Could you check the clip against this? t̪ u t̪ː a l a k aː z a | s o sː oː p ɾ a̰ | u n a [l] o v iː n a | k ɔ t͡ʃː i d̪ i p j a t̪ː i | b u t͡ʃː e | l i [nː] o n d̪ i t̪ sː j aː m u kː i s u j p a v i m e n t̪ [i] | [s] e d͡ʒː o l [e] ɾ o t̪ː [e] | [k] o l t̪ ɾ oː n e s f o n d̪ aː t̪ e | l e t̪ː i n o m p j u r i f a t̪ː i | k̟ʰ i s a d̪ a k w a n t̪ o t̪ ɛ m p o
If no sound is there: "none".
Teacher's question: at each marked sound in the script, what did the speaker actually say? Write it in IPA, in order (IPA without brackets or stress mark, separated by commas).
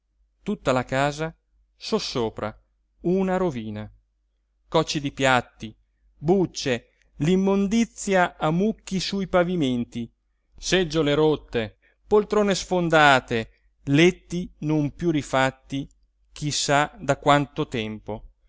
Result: ɾ, mː, i, s, e, e, p